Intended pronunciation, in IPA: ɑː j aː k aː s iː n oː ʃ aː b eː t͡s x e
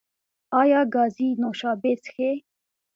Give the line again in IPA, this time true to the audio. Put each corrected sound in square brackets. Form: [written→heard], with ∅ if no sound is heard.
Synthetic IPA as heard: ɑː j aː [k→ɡ] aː [s→z] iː n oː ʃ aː b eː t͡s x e

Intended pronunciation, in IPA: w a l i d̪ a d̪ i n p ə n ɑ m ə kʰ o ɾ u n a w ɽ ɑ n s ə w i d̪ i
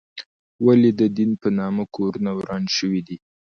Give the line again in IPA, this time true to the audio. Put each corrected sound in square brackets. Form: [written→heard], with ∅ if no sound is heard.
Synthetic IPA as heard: w a l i d̪ [a→ə] d̪ i n p ə n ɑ m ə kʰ o ɾ u n a w [ɽ→ɾ] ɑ n [s→ʃ] ə w i d̪ i

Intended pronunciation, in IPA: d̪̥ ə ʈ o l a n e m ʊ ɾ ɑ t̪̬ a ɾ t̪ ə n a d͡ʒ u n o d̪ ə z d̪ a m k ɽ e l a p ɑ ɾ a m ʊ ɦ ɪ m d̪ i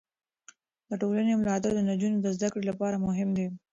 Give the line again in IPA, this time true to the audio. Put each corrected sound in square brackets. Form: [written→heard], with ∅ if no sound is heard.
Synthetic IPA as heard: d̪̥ ə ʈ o l a n e m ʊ [ɾ→l] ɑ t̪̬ a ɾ [t̪→d̪] ə n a d͡ʒ u n o d̪ ə z d̪ a [m→∅] k ɽ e l a p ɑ ɾ a m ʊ ɦ ɪ m d̪ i

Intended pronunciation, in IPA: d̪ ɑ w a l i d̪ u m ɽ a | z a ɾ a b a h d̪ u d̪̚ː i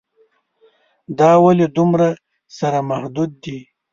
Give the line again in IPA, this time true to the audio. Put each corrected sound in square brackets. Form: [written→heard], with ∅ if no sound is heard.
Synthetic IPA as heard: d̪ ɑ w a l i d̪ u m [ɽ→ɾ] a | [z→s] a ɾ a [b→m] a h d̪ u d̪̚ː i

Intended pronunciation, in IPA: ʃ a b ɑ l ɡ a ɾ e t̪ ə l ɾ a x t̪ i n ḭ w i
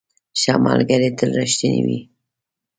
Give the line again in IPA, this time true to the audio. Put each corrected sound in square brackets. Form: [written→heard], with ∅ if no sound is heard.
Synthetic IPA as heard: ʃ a [b→m] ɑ l ɡ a ɾ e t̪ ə l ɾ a [x→ʃ] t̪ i n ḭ w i

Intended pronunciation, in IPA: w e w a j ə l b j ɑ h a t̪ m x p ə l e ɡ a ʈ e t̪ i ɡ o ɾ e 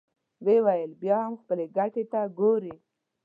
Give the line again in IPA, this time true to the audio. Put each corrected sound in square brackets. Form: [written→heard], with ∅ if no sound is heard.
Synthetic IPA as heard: w e w a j ə l b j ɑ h a [t̪→∅] m x p ə l e ɡ a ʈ e t̪ [i→a] ɡ o ɾ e

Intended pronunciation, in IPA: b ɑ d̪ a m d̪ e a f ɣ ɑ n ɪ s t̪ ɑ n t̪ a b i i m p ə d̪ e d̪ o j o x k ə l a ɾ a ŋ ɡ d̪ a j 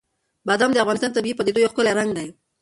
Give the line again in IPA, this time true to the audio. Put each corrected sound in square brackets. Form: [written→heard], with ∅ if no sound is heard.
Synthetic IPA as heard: b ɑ d̪ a m d̪ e a f ɣ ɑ n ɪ s t̪ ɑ n t̪ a b i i [m→∅] p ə d̪ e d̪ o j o x k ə l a ɾ a ŋ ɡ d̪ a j

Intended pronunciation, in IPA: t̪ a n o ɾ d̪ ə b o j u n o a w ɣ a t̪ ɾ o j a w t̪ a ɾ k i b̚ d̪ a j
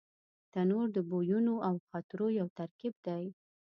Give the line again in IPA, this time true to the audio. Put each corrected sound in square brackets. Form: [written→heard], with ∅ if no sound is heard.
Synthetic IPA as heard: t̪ a n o ɾ d̪ ə b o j u n o a w [ɣ→x] a t̪ ɾ o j a w t̪ a ɾ k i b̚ d̪ a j

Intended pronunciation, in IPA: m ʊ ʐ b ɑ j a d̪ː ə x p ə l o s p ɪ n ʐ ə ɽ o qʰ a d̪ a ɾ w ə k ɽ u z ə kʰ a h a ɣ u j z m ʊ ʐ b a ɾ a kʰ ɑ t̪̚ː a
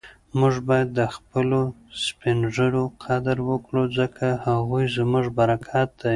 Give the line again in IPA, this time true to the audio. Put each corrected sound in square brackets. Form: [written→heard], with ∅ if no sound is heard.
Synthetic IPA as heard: m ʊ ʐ b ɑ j a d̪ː ə x p ə l o s p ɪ n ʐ ə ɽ o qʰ a d̪ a ɾ w ə k ɽ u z ə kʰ a h a ɣ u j z m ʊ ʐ b a ɾ a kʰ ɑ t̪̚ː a

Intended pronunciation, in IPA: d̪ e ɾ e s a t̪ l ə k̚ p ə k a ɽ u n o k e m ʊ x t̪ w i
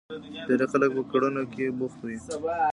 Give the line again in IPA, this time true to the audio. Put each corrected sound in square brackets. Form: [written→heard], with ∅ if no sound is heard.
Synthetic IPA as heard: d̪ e ɾ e [s→x] a [t̪→∅] l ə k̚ p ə k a ɽ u n o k e [m→b] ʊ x t̪ w i

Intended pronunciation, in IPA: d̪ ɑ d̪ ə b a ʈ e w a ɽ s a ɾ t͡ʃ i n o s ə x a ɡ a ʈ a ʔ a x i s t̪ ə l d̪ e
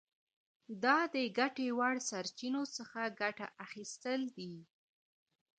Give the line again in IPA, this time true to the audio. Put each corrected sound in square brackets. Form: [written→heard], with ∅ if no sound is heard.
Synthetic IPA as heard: d̪ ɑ d̪ ə [b→ɡ] a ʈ e w a ɽ s a ɾ t͡ʃ i n o s ə x a ɡ a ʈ a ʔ a x i s t̪ ə l d̪ [e→i]

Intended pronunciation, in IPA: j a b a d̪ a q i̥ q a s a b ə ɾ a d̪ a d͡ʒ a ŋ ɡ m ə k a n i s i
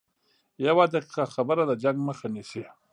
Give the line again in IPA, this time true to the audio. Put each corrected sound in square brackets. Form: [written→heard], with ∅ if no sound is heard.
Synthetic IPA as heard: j a [b→w] a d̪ a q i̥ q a [s→x] a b ə ɾ a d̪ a d͡ʒ a ŋ ɡ m ə [k→x] a n i s i

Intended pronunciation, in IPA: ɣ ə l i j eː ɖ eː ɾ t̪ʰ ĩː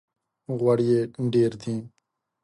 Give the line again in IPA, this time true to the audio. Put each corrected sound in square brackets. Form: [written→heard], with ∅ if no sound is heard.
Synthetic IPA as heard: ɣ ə [l→ɽ] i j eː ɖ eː ɾ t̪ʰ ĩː

